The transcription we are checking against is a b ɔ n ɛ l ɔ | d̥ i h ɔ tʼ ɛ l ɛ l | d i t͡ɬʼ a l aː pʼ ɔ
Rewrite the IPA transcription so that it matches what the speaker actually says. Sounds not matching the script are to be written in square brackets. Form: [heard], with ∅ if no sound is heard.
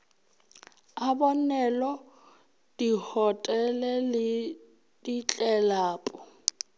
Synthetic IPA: a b ɔ n ɛ l ɔ | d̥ i h ɔ tʼ ɛ l ɛ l | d i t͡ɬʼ [ɛ] l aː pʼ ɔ